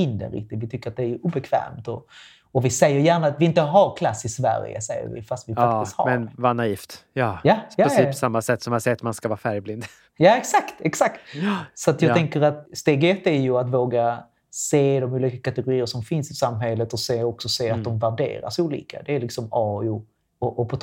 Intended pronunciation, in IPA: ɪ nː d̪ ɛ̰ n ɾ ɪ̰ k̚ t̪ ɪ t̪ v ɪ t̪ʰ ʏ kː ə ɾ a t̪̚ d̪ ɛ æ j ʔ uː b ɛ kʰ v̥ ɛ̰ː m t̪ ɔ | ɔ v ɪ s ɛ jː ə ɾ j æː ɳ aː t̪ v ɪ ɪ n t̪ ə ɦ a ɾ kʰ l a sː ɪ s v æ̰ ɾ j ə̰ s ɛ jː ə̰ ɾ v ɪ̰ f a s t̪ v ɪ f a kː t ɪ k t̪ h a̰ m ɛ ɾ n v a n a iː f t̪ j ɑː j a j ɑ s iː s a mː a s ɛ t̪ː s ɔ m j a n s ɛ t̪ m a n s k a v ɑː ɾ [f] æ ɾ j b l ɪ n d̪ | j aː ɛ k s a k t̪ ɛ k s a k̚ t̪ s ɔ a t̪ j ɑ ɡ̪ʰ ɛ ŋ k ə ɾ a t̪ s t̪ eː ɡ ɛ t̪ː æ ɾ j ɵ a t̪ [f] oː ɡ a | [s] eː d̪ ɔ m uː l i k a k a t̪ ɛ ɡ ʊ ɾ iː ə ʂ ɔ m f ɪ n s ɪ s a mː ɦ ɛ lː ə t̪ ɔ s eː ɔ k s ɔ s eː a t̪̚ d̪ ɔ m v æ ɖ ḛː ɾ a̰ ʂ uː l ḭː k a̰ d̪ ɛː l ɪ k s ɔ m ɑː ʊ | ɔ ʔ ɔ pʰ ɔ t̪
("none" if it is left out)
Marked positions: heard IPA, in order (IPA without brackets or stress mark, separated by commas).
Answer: f, v, s